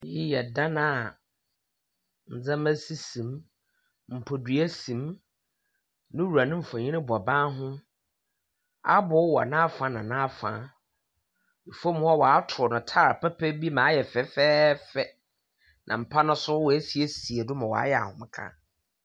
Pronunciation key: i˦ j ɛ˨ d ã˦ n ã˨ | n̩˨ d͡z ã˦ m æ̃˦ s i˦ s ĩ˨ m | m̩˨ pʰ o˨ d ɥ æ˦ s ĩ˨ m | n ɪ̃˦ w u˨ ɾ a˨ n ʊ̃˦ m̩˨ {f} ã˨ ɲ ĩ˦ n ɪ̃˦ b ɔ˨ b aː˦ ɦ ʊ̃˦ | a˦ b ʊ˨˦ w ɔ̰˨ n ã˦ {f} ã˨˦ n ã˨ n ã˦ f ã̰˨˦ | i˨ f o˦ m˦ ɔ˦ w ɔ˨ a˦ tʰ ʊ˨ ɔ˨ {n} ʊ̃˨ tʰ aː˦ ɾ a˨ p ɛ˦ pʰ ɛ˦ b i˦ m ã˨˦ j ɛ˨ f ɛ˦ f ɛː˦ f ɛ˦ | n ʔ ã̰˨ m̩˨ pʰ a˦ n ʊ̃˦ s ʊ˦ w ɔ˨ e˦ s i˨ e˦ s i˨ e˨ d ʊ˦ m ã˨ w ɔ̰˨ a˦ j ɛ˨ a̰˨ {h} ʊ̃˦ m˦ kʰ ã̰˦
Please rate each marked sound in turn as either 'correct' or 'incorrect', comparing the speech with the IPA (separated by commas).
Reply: correct, correct, correct, correct